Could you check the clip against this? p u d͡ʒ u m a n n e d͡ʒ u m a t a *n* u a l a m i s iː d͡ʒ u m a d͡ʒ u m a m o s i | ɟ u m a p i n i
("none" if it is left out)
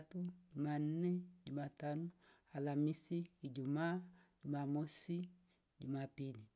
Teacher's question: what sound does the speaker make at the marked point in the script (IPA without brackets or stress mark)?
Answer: n